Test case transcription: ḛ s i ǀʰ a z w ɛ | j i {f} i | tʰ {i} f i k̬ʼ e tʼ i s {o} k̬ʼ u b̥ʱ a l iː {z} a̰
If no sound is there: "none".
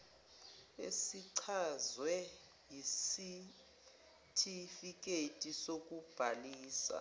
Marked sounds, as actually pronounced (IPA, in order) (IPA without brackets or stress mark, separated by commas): s, i, o, s